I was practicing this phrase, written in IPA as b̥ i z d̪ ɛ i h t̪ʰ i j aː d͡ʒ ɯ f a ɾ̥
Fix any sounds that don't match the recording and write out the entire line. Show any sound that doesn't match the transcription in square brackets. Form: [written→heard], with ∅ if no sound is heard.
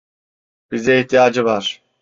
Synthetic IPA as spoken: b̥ i z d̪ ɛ i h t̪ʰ i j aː d͡ʒ ɯ [f→v] a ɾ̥